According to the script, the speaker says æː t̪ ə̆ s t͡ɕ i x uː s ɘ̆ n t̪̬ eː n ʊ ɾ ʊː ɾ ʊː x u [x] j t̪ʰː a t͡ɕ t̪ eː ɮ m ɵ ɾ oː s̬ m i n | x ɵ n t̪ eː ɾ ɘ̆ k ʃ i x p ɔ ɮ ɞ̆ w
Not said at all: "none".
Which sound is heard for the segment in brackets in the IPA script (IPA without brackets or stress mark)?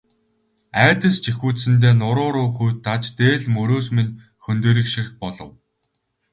none